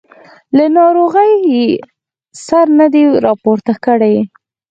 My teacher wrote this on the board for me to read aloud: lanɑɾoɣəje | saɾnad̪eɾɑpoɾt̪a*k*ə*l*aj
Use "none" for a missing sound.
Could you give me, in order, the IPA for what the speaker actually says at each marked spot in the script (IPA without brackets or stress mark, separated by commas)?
k, ɽ